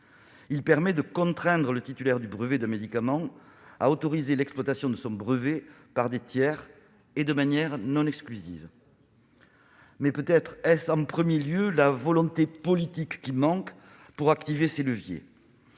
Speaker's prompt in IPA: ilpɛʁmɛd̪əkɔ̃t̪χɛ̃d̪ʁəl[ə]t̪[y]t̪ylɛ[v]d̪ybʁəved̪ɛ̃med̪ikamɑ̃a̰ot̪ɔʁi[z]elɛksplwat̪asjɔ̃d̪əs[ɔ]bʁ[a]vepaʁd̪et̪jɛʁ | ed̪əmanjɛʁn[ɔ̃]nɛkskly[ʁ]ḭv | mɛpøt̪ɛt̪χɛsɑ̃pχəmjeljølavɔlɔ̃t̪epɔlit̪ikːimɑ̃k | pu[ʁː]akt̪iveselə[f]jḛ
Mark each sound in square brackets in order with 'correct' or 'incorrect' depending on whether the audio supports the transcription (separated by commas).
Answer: correct, incorrect, incorrect, correct, incorrect, incorrect, correct, incorrect, incorrect, incorrect